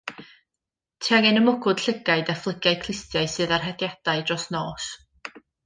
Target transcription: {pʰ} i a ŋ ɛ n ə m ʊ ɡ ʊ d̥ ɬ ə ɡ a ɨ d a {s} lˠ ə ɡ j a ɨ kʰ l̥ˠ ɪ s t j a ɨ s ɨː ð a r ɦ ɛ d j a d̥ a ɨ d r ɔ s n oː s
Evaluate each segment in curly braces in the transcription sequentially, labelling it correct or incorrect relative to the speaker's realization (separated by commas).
incorrect, incorrect